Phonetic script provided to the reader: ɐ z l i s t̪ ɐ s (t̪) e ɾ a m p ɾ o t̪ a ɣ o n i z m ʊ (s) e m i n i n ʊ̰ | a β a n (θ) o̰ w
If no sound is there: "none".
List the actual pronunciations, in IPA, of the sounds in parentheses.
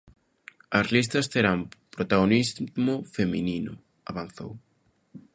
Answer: t̪, f, θ

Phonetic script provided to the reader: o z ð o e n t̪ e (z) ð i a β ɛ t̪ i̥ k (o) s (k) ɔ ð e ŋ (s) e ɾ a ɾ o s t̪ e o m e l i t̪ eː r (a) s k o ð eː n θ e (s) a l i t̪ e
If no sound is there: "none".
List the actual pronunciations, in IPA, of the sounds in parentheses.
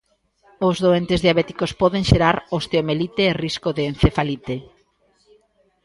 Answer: z, o, p, ʃ, i, f

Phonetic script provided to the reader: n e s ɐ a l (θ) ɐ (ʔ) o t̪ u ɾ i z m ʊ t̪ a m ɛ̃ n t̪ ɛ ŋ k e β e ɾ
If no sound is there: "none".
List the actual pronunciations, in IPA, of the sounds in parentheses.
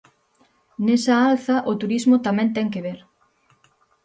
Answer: θ, ʔ

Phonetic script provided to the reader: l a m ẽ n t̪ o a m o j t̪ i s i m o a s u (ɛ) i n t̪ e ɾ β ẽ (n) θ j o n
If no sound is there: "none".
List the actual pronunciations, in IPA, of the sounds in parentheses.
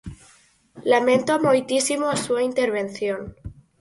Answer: a, n

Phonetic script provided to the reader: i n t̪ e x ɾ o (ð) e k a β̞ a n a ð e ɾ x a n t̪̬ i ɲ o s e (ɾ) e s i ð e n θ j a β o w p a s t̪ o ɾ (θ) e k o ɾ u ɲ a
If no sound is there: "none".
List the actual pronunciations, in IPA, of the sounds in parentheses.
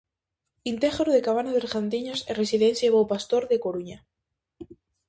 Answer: ð, r, ð

